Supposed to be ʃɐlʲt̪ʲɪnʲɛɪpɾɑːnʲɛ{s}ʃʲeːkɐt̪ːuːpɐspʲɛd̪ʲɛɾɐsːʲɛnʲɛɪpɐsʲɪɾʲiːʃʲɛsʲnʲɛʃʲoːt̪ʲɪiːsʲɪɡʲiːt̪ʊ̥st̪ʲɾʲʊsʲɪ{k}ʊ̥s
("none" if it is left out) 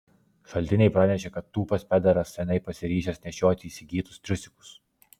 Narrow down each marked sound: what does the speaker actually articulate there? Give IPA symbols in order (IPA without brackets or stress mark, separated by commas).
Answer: none, k